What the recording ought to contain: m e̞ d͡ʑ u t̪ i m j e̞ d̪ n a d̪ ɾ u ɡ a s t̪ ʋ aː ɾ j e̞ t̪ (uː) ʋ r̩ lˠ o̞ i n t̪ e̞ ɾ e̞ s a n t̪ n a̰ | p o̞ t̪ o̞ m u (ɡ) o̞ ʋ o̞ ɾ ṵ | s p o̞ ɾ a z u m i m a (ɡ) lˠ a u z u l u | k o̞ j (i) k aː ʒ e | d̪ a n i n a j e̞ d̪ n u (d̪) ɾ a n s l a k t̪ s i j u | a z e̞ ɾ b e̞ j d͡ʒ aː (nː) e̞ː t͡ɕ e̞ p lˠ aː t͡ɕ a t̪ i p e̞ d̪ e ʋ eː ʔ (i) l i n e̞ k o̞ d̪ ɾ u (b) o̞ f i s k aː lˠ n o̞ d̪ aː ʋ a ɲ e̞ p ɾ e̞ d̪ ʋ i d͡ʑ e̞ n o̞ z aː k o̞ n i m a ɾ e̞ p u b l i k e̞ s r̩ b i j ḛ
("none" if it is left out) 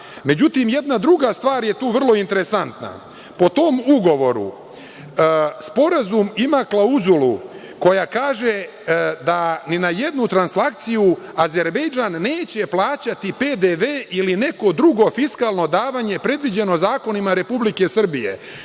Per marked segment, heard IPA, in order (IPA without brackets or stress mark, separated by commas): uː, ɡ, k, a, t̪, nː, i, ɡ